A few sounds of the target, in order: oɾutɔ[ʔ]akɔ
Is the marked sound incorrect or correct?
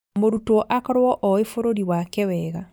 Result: correct